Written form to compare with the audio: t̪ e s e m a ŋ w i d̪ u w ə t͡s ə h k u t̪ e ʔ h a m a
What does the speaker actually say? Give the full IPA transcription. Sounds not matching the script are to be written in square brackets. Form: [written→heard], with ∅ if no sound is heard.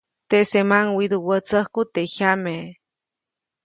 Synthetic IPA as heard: t̪ e s e m a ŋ w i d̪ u w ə t͡s ə h k u t̪ e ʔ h a m [a→e]